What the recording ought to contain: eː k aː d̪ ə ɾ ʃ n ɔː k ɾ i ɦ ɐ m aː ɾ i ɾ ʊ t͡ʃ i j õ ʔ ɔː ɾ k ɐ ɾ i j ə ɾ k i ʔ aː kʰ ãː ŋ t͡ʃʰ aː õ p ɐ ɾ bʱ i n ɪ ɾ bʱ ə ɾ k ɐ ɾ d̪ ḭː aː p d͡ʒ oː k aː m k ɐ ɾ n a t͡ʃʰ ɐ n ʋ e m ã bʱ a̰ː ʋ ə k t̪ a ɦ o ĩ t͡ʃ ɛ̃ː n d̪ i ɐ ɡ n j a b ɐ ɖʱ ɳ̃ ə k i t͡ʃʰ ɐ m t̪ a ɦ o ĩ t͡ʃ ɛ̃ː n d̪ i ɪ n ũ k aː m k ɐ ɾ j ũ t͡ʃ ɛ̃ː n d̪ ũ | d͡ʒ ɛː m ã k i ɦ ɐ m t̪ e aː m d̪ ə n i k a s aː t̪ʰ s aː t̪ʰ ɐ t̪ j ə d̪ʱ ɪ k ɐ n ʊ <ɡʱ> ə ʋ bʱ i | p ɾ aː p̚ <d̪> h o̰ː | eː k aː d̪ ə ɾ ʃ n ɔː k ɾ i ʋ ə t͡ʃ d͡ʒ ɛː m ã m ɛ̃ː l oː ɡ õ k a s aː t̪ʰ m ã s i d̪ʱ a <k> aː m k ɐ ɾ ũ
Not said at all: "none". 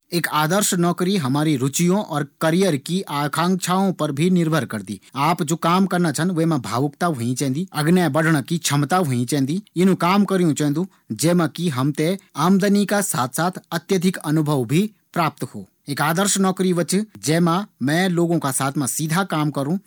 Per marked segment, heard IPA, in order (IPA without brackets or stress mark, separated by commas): bʱ, t̪, k